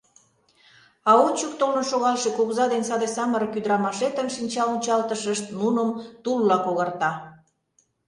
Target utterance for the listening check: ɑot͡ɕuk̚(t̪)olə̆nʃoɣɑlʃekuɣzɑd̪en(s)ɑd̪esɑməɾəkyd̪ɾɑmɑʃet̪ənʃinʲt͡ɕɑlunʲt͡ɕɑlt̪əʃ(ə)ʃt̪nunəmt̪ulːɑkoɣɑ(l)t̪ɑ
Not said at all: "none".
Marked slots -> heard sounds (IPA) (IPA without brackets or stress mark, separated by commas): t̪, s, ə, r